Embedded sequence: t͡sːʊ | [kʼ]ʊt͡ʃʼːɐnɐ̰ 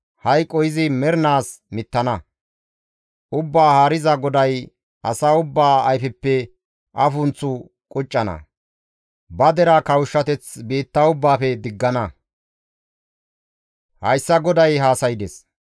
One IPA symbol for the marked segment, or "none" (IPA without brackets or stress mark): kʼ